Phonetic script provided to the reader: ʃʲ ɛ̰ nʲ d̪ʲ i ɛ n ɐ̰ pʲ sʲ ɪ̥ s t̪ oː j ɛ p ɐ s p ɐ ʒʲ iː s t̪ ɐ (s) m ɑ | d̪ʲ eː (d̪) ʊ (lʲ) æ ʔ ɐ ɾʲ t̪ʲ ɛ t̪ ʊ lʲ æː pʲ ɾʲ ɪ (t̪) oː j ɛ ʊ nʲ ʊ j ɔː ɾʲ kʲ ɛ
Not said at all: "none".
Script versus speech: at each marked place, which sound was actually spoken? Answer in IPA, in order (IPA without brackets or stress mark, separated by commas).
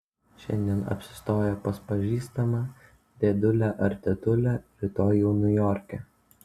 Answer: none, d̪, lʲ, t̪